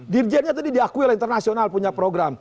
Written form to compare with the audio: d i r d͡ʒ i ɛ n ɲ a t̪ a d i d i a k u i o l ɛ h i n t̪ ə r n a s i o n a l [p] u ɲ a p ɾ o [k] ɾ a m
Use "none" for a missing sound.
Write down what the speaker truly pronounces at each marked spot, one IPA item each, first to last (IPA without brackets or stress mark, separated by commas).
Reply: p, ɡ